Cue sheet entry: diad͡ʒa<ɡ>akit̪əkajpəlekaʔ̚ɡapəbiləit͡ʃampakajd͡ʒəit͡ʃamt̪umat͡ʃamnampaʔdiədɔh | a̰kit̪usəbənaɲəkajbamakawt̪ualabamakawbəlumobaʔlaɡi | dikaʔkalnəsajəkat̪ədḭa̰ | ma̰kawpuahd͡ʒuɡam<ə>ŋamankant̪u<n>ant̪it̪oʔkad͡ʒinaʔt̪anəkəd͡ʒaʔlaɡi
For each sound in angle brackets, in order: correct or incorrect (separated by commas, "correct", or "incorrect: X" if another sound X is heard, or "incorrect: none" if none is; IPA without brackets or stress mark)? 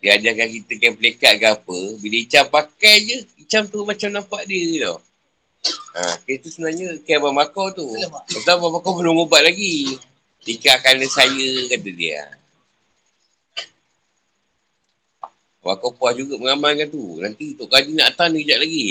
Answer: incorrect: k, correct, correct